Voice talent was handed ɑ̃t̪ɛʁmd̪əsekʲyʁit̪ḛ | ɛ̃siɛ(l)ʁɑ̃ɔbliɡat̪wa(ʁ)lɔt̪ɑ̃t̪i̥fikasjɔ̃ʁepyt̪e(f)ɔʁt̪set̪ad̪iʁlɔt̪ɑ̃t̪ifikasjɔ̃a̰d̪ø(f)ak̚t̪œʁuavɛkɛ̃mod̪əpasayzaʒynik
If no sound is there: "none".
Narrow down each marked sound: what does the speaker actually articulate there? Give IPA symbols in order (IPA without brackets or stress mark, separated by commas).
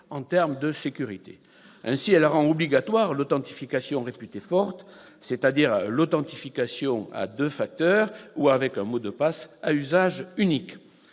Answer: l, ʁ, f, f